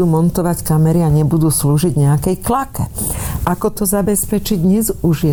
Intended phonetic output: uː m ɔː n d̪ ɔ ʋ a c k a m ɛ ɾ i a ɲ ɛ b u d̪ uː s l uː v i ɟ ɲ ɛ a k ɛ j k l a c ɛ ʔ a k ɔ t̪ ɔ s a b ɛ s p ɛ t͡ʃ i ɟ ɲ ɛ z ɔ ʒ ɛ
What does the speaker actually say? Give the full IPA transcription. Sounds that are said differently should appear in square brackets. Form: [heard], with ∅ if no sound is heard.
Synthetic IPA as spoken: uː m [ɔ] n [t̪] ɔ ʋ a c k a m ɛ ɾ i a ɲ ɛ b u d̪ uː s l uː [ʒ] i ɟ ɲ ɛ a k ɛ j k l a [k] ɛ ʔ a k ɔ t̪ ɔ [z] a b ɛ s p ɛ t͡ʃ i ɟ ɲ ɛ z [u] ʒ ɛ